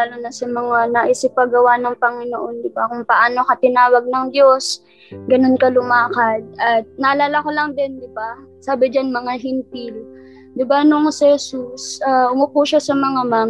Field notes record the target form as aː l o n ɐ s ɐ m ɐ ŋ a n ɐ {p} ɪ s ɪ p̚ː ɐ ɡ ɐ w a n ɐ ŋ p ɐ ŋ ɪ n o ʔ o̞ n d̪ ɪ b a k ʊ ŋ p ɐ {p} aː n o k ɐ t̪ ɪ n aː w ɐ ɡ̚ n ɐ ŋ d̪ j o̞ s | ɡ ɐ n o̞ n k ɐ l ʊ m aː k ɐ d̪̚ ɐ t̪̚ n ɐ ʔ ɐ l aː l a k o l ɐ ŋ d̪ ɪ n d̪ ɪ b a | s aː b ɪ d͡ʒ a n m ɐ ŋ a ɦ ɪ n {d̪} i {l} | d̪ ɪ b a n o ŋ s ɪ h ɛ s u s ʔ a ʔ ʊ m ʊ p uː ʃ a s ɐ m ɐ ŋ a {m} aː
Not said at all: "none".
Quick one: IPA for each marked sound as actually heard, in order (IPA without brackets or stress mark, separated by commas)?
ʔ, ʔ, t̪, l, m